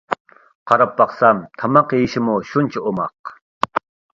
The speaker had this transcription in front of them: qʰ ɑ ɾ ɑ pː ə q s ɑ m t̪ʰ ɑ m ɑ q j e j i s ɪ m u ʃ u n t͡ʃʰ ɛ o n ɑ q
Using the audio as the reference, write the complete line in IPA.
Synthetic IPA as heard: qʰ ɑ ɾ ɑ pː ɑ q s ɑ m t̪ʰ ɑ m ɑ q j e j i ʃ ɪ m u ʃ u n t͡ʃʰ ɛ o m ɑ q